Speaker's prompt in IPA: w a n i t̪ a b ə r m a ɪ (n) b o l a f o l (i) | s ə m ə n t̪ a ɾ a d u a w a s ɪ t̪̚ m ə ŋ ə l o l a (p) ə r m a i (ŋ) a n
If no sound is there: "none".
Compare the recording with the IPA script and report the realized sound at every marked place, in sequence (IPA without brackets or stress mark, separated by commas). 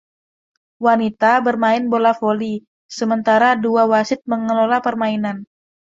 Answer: n, i, p, n